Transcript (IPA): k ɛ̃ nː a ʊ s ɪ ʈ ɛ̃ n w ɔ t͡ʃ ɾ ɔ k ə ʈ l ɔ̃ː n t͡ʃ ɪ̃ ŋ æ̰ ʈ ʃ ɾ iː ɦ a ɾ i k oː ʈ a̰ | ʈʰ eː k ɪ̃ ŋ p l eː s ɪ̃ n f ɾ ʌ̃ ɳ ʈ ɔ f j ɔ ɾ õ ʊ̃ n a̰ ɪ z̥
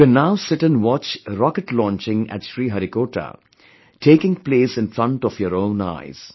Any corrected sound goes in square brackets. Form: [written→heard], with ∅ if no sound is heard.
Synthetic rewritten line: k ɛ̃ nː a ʊ s ɪ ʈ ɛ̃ n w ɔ t͡ʃ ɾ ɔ k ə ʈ l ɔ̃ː n t͡ʃ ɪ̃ ŋ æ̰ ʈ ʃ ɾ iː ɦ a ɾ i k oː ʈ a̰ | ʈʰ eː k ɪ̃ ŋ p l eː s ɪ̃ n f ɾ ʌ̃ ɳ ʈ ɔ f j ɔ ɾ õ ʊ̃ n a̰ ɪ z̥